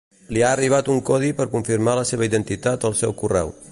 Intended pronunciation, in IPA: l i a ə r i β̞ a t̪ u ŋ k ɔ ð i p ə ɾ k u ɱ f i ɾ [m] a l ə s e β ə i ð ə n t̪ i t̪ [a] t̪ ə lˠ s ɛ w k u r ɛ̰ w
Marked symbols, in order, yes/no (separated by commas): yes, yes